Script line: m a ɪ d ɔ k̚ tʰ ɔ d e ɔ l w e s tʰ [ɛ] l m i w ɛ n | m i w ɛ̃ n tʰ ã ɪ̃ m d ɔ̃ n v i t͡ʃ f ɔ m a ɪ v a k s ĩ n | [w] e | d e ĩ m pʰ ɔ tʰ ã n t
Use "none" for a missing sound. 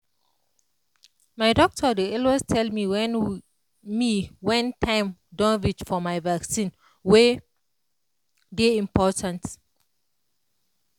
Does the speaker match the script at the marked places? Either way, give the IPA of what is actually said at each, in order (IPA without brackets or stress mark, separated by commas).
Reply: ɛ, w